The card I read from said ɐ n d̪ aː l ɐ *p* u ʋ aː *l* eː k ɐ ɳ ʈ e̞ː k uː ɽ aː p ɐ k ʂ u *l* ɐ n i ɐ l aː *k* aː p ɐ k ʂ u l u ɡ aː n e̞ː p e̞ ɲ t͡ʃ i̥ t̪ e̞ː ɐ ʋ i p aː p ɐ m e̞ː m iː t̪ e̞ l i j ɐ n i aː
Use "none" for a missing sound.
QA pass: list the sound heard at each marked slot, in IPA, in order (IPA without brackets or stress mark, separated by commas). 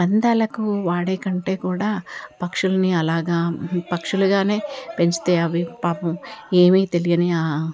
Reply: k, ɽ, l, ɡ